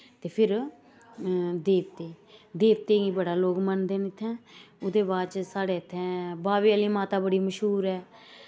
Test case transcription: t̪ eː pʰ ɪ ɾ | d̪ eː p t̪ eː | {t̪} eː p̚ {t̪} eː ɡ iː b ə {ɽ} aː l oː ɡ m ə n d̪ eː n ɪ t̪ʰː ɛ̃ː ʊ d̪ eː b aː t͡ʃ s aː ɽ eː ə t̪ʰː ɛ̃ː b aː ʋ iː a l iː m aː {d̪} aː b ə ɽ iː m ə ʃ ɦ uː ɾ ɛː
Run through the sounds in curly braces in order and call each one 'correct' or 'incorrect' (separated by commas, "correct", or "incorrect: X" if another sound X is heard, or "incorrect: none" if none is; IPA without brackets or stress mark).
incorrect: d̪, correct, correct, incorrect: t̪